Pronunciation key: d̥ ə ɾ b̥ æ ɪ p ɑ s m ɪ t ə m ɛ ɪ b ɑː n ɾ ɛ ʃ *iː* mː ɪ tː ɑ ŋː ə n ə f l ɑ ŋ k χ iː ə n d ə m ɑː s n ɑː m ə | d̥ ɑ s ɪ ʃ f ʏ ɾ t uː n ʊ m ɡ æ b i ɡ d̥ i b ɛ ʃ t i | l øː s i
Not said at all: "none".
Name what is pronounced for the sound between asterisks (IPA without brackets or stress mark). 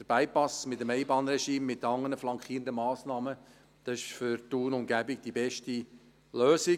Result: iː